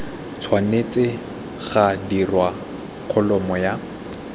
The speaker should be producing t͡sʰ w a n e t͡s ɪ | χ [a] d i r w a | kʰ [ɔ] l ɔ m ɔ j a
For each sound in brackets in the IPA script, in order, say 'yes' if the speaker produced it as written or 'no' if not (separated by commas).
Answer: yes, yes